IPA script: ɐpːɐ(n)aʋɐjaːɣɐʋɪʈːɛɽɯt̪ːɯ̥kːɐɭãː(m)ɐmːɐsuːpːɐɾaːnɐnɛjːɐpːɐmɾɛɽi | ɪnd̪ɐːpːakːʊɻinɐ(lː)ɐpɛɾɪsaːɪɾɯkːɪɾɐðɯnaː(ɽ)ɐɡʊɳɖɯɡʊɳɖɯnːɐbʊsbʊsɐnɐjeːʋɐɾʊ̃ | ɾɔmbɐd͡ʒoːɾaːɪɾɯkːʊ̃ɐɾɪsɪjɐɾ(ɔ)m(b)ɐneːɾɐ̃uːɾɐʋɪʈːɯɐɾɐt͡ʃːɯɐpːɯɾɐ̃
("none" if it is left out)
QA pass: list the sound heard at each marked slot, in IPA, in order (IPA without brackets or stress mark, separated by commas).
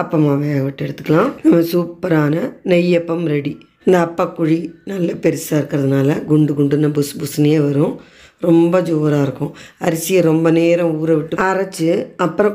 m, n, lː, l, ɔ, b